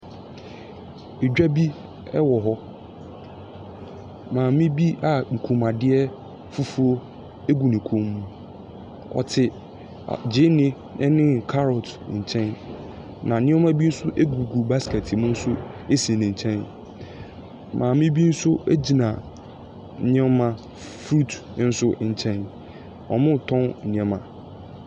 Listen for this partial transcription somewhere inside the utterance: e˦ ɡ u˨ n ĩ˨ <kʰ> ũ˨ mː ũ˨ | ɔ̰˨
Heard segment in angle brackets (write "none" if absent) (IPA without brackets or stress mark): kʰ